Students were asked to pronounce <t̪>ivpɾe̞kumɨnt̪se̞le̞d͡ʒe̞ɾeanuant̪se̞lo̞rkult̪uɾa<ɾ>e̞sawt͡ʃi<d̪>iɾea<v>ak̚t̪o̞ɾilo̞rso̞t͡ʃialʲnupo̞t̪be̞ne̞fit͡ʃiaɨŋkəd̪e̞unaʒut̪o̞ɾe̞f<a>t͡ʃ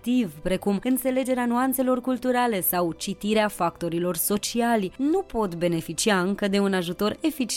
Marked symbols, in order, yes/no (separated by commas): yes, no, no, no, no